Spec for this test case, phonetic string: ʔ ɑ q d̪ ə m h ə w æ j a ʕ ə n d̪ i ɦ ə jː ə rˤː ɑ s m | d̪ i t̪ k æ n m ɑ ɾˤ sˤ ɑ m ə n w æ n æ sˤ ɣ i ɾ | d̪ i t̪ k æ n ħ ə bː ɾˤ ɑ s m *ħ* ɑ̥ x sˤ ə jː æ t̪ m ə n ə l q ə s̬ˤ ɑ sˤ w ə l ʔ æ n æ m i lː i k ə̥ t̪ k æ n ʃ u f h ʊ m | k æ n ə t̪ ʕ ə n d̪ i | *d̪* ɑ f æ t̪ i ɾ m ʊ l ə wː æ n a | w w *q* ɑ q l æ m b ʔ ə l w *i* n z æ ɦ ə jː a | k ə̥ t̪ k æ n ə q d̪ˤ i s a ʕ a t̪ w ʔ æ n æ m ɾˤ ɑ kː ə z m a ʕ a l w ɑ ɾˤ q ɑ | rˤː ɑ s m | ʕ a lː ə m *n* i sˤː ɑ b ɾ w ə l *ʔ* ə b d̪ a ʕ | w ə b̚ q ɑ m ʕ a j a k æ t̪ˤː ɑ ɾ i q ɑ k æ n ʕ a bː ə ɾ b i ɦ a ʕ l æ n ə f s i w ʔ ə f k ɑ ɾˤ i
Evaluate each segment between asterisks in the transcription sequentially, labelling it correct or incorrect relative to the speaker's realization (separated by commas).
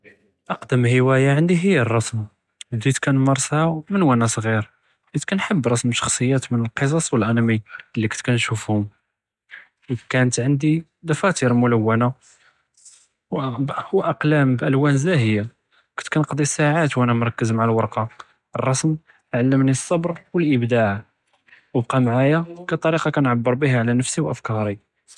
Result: incorrect, correct, incorrect, incorrect, correct, correct